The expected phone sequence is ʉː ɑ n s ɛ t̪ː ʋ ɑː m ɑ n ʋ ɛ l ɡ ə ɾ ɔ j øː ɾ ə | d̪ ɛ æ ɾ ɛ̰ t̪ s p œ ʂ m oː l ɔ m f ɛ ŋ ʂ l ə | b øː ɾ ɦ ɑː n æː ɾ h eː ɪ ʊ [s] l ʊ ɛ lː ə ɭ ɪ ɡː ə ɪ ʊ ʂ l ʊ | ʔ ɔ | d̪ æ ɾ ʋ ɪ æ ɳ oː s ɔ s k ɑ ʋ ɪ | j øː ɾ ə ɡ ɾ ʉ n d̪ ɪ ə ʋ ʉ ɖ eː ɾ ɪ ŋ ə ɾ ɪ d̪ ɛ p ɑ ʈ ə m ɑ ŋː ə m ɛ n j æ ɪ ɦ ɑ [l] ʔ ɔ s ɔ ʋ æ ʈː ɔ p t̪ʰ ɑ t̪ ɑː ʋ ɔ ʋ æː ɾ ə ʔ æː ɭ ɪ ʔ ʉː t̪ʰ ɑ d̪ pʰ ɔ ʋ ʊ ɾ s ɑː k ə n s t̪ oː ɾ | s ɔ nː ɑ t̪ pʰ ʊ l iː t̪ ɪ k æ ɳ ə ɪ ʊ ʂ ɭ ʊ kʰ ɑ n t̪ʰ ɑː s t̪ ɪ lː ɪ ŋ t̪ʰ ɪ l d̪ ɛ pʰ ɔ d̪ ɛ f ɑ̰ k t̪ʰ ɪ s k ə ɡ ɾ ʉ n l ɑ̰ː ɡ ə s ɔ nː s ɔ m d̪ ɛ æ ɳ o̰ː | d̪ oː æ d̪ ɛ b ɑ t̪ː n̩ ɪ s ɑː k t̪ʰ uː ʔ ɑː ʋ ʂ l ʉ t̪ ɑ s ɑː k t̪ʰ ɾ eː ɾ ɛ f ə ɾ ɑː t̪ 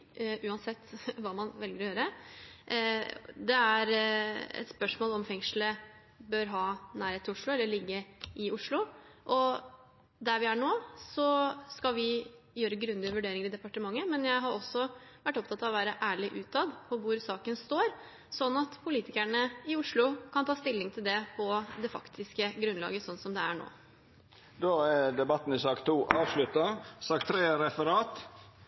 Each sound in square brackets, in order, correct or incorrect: incorrect, incorrect

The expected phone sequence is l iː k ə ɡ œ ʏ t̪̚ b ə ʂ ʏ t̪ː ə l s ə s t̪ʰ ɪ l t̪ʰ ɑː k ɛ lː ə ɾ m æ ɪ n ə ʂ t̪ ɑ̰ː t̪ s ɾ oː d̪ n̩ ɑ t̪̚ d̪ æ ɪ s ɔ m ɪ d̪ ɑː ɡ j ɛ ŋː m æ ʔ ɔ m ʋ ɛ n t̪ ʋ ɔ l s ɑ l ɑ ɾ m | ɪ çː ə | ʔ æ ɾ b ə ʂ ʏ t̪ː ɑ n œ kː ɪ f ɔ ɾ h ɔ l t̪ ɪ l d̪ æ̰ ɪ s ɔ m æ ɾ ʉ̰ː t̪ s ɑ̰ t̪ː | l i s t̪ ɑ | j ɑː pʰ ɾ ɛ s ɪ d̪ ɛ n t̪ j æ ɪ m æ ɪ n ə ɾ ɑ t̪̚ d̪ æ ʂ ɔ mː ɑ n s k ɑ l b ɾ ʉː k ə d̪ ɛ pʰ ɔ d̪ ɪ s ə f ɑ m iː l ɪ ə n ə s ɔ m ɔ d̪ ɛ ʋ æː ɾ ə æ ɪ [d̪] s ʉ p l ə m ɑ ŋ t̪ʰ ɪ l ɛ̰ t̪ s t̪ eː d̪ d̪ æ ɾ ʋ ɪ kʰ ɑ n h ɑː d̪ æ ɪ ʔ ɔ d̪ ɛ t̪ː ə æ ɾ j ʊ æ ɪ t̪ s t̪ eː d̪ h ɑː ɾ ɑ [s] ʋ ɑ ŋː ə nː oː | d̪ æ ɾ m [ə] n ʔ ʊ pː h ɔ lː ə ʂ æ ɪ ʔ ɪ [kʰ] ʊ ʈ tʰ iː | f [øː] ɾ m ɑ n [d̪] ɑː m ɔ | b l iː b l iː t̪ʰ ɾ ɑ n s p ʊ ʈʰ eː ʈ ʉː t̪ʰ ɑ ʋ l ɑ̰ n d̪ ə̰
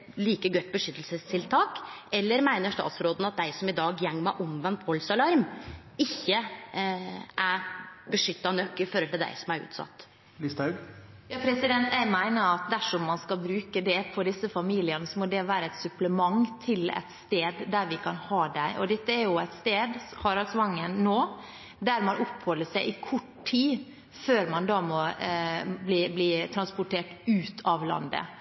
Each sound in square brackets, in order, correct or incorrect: incorrect, correct, incorrect, correct, correct, correct

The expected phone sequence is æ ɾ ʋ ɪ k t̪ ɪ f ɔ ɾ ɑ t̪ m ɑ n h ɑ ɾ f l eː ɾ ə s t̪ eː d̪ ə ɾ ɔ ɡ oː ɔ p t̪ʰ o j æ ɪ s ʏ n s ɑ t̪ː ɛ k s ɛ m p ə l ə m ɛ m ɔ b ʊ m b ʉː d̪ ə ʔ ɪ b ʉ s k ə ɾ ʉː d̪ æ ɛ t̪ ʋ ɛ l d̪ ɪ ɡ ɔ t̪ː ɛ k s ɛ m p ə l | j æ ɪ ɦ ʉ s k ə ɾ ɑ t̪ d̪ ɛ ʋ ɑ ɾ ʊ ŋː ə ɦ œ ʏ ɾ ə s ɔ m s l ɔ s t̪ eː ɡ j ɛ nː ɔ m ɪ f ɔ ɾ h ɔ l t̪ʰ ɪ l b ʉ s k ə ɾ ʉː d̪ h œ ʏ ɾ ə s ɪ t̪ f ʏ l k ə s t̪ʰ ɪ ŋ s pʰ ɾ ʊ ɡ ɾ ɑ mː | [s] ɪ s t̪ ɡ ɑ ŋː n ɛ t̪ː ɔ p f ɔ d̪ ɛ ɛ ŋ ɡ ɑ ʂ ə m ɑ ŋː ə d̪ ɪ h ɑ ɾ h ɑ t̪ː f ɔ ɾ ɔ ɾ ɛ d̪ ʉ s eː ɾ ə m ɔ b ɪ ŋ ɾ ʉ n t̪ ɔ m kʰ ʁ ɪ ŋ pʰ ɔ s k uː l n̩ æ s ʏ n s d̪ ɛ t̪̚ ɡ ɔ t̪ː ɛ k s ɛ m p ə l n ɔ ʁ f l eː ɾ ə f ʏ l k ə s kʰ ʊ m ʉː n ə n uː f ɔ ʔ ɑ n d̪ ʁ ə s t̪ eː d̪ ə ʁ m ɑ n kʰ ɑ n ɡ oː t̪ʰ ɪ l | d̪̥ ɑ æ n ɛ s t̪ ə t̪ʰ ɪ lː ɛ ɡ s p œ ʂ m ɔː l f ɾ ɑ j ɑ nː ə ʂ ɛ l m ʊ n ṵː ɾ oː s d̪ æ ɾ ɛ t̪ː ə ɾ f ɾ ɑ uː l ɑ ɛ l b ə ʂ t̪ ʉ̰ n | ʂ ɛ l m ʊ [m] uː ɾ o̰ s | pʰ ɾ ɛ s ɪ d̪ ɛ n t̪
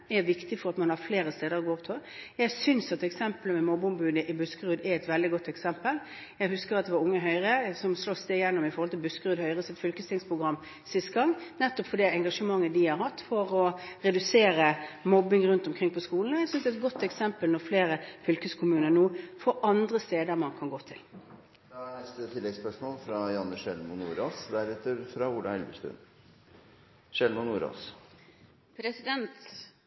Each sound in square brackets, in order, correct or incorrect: correct, incorrect

